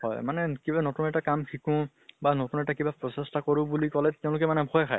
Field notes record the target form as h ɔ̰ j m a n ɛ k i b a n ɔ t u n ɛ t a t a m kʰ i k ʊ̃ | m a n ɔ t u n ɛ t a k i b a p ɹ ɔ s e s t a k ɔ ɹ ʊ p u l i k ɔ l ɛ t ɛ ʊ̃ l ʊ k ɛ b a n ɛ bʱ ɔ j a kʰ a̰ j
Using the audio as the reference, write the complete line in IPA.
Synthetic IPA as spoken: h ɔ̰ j m a n ɛ k i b a n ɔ t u n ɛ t a k a m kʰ i k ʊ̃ | b a n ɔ t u n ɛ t a k i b a p ɹ ɔ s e s t a k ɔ ɹ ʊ b u l i k ɔ l ɛ t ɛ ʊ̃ l ʊ k ɛ m a n ɛ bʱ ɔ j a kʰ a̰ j

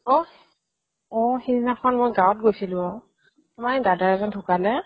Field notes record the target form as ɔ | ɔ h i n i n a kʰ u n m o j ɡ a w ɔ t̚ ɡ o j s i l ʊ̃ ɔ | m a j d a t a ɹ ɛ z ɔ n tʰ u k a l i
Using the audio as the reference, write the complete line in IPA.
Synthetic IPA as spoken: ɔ | ɔ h i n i n a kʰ ɔ n m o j ɡ a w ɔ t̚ ɡ o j s i l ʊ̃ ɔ | m a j d a d a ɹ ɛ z ɔ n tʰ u k a l ɛ

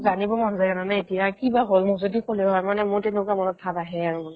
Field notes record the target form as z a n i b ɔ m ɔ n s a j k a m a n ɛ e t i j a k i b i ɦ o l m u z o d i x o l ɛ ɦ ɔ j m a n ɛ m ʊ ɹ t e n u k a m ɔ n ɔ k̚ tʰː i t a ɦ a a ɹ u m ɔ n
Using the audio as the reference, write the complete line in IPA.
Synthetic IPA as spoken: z a n i b ɔ m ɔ n z a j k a n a n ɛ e t i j a k i b a ɦ o l m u z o d i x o l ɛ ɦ ɔ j m a n ɛ m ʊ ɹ t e n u k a m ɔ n ɔ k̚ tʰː a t a ɦ ɛ a ɹ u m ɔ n

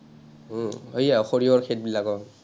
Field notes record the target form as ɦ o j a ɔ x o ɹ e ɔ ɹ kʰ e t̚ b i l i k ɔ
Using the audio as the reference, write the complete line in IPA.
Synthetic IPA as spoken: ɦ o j a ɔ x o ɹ i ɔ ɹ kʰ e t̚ b i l a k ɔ

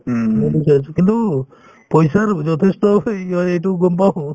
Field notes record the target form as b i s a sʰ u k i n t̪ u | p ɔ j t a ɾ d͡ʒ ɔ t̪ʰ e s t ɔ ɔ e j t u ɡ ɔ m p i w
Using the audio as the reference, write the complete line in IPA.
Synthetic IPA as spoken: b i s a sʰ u k i n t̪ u | p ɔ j s a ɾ d͡ʒ ɔ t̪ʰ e s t ɔ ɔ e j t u ɡ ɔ m p a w

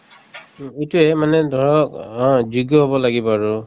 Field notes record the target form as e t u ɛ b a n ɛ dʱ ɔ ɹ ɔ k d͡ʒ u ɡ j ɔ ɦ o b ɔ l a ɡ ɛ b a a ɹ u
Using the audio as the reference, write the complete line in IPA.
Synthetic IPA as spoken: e t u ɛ m a n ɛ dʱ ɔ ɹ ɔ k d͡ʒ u ɡ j ɔ ɦ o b ɔ l a ɡ i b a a ɹ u

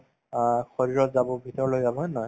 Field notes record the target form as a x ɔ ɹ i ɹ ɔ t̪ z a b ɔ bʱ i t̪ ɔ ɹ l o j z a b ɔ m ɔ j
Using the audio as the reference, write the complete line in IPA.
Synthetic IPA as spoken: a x ɔ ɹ i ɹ ɔ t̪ z a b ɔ bʱ i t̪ ɔ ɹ l o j z a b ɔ n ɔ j

